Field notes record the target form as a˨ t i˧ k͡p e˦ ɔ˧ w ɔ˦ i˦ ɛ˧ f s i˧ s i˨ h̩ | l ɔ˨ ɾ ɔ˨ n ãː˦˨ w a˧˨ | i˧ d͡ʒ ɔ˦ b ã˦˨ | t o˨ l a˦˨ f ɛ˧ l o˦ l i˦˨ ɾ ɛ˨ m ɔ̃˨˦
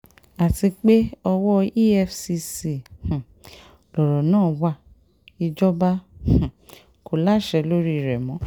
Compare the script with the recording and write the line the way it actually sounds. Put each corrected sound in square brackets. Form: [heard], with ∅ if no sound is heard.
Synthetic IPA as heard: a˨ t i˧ k͡p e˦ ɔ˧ w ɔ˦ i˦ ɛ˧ f s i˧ s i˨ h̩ | l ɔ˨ ɾ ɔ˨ n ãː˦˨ w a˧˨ | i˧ d͡ʒ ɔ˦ b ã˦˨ | [k] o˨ l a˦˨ [ʃ] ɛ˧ l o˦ [ɾ] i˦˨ ɾ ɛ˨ m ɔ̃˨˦